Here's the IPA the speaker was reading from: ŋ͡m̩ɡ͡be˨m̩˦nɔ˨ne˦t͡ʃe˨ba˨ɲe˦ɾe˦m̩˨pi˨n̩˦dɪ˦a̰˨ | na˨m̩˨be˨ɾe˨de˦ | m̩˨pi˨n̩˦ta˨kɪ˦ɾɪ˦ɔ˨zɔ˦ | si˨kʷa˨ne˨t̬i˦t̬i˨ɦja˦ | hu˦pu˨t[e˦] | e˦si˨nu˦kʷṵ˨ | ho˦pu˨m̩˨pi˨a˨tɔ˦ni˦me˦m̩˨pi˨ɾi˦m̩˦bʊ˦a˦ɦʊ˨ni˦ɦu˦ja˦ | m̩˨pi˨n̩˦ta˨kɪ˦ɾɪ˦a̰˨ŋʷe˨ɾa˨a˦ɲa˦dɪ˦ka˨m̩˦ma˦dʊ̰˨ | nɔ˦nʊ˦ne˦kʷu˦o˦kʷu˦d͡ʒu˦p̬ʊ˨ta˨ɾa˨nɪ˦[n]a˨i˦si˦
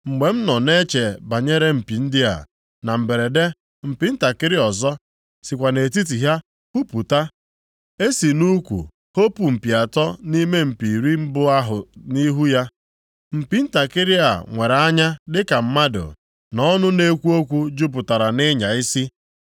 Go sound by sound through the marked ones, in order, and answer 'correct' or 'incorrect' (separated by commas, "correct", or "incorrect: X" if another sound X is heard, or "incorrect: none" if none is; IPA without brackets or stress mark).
incorrect: a˦, incorrect: ɲ